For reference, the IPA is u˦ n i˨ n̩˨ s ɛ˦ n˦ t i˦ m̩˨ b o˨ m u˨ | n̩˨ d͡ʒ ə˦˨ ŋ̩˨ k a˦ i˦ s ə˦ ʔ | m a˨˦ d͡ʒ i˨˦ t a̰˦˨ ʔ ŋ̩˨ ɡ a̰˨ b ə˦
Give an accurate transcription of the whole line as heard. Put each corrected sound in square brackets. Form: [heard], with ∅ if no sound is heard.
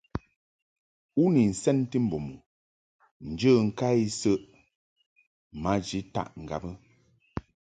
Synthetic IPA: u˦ n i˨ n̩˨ s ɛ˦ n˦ t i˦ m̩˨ b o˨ m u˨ | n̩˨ d͡ʒ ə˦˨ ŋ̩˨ k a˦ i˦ s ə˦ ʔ | m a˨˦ d͡ʒ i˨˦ t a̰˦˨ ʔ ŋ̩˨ ɡ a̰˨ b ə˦

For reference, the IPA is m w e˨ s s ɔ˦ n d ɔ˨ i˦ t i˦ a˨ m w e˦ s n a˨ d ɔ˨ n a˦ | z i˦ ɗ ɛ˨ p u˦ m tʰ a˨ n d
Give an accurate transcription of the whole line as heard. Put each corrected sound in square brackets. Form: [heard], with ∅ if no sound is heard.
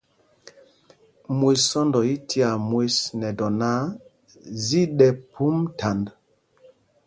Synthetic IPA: m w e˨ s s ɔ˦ n d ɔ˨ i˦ t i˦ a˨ m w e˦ s n [ɛ˨] d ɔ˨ n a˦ | z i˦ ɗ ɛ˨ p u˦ m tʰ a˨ n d

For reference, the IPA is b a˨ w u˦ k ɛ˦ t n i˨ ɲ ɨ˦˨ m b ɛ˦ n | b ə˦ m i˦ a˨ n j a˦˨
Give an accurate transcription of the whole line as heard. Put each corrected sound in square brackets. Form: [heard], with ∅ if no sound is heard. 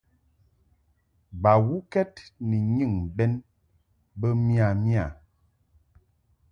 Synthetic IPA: b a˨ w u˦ k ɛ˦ t n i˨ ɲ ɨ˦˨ [ŋ] b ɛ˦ n | b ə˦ m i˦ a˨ [m] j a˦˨

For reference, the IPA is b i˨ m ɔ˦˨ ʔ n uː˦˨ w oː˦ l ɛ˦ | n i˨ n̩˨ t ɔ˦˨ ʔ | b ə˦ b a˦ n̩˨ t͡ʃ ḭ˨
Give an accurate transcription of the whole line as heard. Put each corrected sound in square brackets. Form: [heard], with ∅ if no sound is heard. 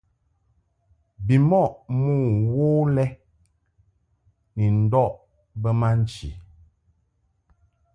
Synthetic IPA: b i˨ m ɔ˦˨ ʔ [m] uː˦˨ w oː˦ l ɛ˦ | n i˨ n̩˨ [d] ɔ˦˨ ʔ | b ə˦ [m] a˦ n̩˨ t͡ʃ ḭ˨

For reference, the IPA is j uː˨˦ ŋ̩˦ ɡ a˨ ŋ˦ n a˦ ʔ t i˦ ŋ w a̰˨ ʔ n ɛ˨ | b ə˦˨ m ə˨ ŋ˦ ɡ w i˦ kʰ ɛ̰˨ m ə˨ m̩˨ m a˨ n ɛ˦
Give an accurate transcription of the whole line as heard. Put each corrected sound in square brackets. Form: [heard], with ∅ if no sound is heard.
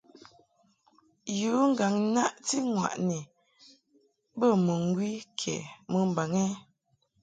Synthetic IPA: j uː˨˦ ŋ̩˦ ɡ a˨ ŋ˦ n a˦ ʔ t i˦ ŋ w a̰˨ ʔ n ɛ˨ | b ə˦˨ m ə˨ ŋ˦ ɡ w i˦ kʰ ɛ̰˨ m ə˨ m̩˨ [b] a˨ [ŋ] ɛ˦

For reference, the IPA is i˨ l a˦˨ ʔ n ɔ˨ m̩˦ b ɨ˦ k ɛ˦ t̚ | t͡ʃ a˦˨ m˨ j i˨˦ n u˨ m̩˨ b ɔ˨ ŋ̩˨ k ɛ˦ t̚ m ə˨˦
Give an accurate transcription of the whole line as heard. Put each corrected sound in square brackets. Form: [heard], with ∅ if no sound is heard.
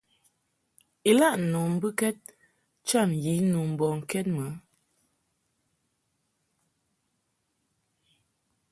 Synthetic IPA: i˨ l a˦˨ ʔ n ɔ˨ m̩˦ b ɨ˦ k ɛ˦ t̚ | t͡ʃ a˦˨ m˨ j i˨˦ n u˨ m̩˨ b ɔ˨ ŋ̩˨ k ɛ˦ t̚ m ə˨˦

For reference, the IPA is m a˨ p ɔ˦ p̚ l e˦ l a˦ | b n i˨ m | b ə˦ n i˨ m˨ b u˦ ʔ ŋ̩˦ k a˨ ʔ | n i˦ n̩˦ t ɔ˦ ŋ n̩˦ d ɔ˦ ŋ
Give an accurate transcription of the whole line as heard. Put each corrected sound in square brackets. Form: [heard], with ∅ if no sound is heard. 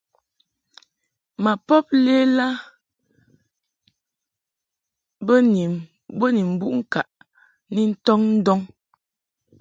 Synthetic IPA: m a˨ p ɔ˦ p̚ l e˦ l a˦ | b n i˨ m | b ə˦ n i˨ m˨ b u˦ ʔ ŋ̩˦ k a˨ ʔ | n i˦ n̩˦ t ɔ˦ ŋ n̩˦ d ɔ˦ ŋ

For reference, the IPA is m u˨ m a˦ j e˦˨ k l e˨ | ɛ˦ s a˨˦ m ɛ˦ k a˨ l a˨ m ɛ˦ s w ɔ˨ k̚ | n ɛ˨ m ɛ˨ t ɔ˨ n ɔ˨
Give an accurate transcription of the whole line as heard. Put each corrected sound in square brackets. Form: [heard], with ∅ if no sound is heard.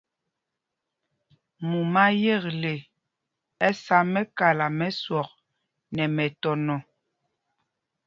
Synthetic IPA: m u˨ m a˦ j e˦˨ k l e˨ | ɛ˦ s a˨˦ m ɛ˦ k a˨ l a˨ m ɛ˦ s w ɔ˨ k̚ | n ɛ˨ m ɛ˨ t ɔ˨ n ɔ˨

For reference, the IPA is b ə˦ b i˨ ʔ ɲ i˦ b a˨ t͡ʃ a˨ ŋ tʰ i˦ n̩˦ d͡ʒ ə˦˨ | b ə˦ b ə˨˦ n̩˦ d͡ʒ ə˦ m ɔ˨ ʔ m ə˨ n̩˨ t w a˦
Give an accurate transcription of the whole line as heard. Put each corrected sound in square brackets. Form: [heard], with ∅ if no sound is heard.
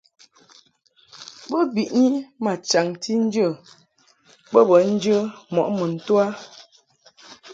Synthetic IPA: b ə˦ b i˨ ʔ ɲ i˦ [m] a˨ t͡ʃ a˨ ŋ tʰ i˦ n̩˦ d͡ʒ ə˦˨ | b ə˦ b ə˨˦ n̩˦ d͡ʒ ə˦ m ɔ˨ ʔ m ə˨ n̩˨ t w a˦

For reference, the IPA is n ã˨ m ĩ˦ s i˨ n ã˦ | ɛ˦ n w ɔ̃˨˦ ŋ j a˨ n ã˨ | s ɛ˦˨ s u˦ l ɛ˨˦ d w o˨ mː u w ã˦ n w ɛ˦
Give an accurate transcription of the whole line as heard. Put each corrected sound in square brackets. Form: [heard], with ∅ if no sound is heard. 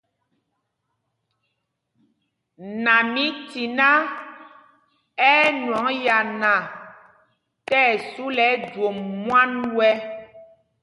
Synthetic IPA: n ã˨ m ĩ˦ [t] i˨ n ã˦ | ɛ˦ n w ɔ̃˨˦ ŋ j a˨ n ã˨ | [t] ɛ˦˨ s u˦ l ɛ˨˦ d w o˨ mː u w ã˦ n w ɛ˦

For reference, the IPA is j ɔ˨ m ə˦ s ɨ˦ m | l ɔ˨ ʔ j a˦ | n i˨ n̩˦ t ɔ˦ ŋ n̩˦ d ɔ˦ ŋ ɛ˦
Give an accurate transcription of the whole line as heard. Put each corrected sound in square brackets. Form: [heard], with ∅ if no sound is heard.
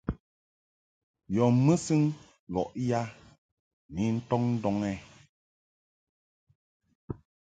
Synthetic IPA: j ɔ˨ m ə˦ s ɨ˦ [ŋ] | l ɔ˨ ʔ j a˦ | n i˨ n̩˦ t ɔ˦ ŋ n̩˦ d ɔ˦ ŋ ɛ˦

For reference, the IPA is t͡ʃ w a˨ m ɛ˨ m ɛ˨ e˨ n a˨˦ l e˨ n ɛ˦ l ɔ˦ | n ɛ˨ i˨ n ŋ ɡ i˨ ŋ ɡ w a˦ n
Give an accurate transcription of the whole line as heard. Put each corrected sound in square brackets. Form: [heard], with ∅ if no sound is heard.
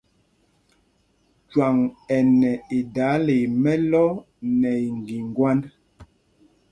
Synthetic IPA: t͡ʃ w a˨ [ŋ] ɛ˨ [n] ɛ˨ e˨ [d] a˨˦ l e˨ [m] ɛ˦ l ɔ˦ | n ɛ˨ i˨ [∅] ŋ ɡ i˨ ŋ ɡ w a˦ n

